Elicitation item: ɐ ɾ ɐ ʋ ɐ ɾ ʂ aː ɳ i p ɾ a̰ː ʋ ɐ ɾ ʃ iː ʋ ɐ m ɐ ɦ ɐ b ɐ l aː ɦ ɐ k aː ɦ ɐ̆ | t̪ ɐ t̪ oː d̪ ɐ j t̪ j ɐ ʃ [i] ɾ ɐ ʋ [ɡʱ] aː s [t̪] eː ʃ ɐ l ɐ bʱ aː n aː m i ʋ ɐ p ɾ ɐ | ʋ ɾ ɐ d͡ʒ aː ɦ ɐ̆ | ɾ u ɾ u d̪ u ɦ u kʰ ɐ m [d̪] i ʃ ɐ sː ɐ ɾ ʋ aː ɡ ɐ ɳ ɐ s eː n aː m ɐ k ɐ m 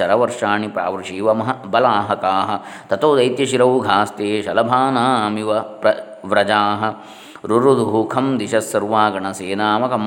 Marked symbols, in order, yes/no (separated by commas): yes, yes, yes, yes